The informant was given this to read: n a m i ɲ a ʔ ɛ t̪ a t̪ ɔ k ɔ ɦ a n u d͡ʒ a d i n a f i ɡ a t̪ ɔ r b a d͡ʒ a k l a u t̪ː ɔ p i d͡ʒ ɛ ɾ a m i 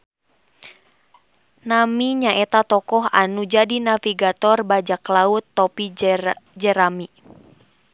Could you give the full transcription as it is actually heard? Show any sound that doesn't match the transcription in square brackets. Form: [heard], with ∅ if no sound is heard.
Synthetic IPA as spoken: n a m i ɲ a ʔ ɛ t̪ a t̪ ɔ k ɔ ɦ a n u d͡ʒ a d i n a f i ɡ a t̪ ɔ r b a d͡ʒ a k l a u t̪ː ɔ p i d͡ʒ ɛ ɾ a m i